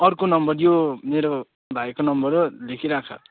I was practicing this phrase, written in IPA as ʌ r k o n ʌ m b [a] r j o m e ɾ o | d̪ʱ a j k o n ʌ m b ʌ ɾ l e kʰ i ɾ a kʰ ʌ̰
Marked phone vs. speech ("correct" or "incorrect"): incorrect